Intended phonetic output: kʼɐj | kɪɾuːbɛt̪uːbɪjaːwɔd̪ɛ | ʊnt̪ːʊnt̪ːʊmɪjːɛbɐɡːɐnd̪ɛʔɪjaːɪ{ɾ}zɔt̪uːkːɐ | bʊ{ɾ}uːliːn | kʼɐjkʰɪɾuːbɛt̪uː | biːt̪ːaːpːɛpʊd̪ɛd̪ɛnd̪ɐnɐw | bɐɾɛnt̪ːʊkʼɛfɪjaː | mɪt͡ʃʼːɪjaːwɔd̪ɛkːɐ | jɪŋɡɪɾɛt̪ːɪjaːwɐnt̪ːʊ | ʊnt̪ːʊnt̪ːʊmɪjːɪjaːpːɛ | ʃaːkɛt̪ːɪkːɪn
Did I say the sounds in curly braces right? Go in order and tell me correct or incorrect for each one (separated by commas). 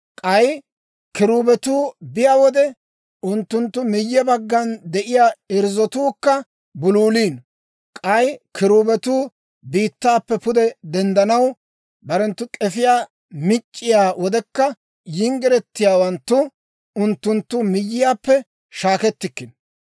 correct, incorrect